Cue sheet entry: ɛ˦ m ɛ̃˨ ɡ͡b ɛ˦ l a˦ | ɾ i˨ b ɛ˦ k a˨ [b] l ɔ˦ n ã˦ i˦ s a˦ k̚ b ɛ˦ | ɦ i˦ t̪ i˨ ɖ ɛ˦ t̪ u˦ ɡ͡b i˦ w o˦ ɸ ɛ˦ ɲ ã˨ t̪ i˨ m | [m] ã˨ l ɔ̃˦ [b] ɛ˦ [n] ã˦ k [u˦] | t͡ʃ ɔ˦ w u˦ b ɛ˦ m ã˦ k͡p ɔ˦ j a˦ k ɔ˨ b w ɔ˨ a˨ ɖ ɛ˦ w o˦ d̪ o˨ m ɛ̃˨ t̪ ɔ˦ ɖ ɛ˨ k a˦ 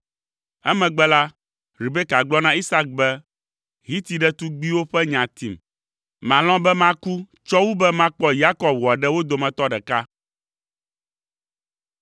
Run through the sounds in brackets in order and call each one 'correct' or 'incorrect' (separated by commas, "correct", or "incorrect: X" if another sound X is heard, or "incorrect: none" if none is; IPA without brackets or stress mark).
incorrect: ɡ͡b, correct, correct, incorrect: m, correct